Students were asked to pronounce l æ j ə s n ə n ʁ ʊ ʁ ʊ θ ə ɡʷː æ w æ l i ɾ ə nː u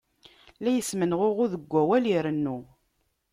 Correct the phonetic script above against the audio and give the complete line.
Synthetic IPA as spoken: l æ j ə s m ə n ʁ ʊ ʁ ʊ ð ə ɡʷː æ w æ l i ɾ ə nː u